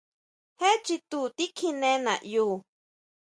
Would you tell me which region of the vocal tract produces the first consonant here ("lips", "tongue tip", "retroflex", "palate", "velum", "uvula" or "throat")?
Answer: throat